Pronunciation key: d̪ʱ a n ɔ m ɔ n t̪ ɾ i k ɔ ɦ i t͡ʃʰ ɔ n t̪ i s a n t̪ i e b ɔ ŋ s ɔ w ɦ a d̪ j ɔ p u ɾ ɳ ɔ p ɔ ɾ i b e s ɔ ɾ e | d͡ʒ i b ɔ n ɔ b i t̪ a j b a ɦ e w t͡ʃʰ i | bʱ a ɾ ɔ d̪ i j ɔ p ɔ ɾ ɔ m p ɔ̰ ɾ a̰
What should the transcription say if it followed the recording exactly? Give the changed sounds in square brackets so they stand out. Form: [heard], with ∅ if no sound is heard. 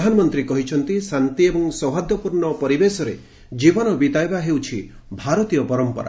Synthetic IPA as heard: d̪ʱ a n ɔ m ɔ n t̪ ɾ i k ɔ ɦ i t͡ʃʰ ɔ n t̪ i s a n t̪ i e b ɔ ŋ s ɔ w ɦ a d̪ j ɔ p u ɾ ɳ ɔ p ɔ ɾ i b e s ɔ ɾ e | d͡ʒ i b ɔ n ɔ b i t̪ a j b a ɦ e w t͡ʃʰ i | bʱ a ɾ ɔ [t̪] i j ɔ p ɔ ɾ ɔ m p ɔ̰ ɾ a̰